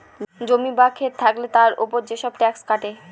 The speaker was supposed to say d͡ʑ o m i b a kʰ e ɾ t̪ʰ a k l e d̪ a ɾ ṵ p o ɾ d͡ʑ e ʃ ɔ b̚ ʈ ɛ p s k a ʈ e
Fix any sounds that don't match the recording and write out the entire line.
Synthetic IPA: d͡ʑ o m i b a kʰ e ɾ t̪ʰ a k l e t̪ a ɾ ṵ p o ɾ d͡ʑ e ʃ ɔ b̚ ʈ ɛ k s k a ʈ e